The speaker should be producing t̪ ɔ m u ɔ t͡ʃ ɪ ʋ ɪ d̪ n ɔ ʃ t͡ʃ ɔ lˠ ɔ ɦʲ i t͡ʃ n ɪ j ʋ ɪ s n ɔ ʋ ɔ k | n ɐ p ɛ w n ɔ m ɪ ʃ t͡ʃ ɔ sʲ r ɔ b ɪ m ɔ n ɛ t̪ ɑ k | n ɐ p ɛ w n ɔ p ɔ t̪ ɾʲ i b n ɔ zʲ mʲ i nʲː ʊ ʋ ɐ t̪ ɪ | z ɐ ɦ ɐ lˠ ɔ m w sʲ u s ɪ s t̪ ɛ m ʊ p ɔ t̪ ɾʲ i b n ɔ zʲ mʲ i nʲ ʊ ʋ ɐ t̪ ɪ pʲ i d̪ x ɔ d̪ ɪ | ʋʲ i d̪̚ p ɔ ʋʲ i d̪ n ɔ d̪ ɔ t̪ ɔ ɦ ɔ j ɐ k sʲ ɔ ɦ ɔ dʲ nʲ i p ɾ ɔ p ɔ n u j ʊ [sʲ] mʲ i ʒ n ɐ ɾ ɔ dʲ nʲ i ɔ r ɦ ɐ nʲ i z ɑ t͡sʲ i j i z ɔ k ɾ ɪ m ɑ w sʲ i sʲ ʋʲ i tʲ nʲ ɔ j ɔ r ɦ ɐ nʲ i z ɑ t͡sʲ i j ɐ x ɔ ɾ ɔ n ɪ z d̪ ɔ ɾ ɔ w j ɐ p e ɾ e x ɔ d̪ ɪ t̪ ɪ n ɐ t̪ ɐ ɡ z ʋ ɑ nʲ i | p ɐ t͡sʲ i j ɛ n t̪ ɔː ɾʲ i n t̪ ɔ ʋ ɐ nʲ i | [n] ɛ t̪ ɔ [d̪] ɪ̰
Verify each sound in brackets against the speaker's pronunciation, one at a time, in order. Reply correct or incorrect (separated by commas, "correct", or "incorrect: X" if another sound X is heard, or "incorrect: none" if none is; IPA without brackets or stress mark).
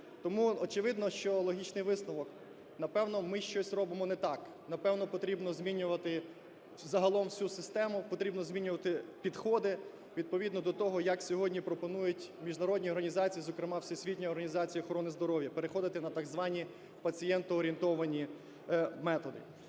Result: incorrect: tʲ, incorrect: m, correct